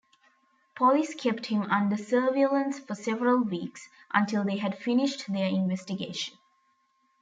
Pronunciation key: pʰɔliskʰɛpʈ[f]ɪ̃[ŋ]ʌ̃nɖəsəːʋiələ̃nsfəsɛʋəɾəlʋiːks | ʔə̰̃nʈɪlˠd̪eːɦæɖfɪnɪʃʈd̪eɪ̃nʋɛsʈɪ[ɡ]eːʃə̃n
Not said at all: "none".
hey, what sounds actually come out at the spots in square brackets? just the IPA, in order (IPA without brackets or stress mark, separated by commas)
h, m, ɡ